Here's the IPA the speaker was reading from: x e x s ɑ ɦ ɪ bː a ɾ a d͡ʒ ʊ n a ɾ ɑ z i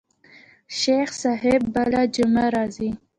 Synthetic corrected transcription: ʃ e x s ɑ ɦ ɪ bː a l a d͡ʒ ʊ m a ɾ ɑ z i